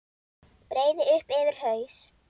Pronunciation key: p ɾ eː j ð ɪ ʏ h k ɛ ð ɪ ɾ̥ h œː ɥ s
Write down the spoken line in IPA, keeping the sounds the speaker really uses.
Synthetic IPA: p ɾ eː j ð ɪ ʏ h p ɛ v ɪ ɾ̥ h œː ɥ s